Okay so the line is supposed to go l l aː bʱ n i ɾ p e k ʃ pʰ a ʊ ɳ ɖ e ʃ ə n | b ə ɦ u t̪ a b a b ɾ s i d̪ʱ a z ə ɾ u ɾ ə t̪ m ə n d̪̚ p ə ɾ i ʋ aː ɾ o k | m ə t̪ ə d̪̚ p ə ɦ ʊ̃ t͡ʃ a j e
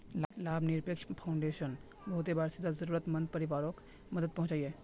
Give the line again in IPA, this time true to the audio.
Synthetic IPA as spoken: l l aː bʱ n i ɾ p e k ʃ pʰ a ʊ ɳ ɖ e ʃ ə n | b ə ɦ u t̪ e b a ɾ s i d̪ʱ a z ə ɾ u ɾ ə t̪ m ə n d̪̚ p ə ɾ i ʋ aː ɾ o k | m ə d̪ ə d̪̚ p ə ɦ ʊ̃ t͡ʃ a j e